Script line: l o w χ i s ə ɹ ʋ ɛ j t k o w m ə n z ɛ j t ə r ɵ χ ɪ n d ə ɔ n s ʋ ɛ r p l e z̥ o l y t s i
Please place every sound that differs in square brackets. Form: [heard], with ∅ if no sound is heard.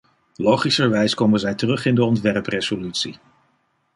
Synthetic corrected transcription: l o w χ i s ə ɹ ʋ ɛ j [s] k o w m ə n z ɛ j t ə r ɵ χ ɪ n d ə ɔ n [t] ʋ ɛ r p [r] e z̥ o l y t s i